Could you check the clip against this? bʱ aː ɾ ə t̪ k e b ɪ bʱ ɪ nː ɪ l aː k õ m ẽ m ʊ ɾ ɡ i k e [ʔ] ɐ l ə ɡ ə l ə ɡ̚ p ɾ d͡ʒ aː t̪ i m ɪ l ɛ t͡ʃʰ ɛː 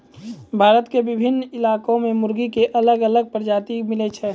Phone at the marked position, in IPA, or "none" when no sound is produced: ʔ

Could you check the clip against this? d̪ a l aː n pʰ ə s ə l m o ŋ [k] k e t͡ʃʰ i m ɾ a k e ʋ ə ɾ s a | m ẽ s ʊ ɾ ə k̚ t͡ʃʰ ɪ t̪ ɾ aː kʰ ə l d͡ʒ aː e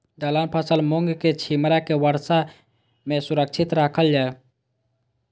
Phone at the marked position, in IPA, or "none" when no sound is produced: ɡ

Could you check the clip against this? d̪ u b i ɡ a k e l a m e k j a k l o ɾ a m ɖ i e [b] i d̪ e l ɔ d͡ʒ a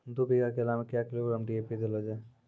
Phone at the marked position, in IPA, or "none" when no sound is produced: p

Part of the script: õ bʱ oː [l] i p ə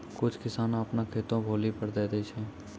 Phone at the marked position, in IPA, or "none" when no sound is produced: l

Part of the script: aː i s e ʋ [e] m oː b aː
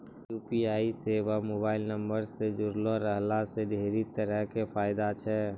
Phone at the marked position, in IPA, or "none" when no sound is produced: a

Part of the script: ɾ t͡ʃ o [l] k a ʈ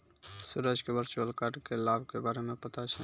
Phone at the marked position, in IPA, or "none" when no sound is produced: l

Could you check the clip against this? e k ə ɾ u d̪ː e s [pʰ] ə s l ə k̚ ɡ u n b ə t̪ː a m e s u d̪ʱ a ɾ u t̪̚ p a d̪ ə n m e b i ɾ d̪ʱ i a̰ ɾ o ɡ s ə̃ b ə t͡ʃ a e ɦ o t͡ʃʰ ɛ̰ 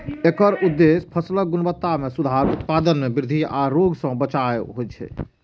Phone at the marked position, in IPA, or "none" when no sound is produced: pʰ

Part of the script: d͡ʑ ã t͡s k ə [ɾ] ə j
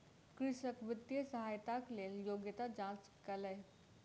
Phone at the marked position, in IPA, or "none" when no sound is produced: l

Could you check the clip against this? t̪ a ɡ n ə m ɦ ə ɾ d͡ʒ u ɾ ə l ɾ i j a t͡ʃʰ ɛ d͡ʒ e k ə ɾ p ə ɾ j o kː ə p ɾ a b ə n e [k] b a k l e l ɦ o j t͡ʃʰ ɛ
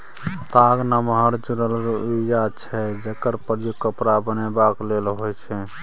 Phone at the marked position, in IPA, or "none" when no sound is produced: none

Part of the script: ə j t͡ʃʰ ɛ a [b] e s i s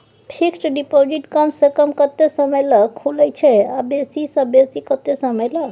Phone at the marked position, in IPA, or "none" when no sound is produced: b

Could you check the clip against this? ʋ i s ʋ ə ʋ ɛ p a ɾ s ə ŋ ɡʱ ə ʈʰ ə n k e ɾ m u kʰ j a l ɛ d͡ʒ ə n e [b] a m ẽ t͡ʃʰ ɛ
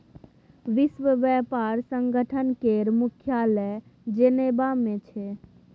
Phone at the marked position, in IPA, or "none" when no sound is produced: b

